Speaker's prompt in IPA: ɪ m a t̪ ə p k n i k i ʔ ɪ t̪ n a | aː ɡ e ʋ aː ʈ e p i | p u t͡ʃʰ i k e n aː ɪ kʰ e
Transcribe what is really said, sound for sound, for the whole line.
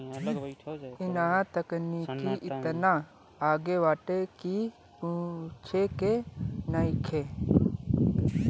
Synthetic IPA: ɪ n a t̪ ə k n i k i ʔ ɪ t̪ n a | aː ɡ e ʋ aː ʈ e k i | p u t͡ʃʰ e k e n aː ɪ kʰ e